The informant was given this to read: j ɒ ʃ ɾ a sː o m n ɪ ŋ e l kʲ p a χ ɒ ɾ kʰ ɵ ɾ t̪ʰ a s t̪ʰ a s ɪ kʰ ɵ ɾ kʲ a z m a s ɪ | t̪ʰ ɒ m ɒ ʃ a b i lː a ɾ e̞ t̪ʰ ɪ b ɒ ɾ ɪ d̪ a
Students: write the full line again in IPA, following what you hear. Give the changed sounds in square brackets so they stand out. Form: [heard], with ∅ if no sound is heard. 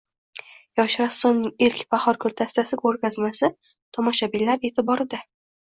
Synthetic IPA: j ɒ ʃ ɾ a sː o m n ɪ ŋ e l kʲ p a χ ɒ ɾ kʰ ɵ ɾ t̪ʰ a s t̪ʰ a s ɪ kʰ ɵ ɾ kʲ a z m a s ɪ | t̪ʰ ɒ m ɒ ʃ a b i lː a ɾ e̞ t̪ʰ ɪ b ɒ ɾ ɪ d̪ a